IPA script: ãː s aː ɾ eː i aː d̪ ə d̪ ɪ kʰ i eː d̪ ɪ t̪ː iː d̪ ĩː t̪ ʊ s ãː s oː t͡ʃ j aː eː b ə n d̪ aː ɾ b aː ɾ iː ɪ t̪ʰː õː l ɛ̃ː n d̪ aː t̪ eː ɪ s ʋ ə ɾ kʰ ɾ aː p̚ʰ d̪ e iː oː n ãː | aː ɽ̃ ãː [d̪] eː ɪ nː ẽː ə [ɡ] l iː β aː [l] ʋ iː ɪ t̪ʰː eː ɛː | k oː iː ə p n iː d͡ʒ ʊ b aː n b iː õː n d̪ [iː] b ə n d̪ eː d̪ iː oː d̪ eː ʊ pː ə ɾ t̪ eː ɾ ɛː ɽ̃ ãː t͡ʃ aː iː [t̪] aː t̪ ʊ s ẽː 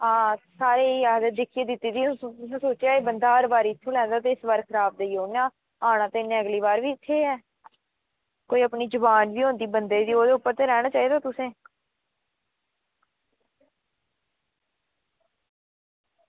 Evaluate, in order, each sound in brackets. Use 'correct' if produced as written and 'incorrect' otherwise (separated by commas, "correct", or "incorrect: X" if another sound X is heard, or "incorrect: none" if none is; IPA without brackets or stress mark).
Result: incorrect: t̪, correct, incorrect: ɾ, correct, incorrect: d̪